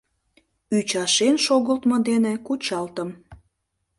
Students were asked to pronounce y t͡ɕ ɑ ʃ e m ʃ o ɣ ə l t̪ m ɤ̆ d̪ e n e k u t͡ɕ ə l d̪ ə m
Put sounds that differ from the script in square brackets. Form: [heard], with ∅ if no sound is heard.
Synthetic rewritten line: y t͡ɕ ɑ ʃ e [n] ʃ o ɣ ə l t̪ m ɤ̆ d̪ e n e k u t͡ɕ [ɑ] l [t̪] ə m